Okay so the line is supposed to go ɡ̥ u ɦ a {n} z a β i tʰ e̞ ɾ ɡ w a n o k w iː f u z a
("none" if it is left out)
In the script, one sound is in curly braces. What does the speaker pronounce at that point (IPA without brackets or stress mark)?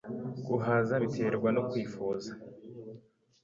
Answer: none